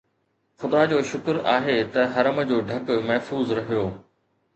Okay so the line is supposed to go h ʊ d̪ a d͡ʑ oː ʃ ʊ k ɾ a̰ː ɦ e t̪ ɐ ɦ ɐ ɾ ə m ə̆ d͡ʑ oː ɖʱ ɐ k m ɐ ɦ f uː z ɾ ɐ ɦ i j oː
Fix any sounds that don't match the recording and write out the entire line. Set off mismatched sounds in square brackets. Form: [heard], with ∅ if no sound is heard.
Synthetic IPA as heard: [x] ʊ d̪ a d͡ʑ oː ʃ ʊ k ɾ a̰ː ɦ e t̪ ɐ ɦ ɐ ɾ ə m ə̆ d͡ʑ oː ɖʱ ɐ k m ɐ ɦ f uː z ɾ ɐ ɦ i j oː